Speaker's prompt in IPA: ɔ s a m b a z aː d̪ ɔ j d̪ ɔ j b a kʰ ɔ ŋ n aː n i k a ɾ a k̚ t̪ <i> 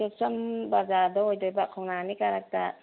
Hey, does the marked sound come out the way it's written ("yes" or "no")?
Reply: no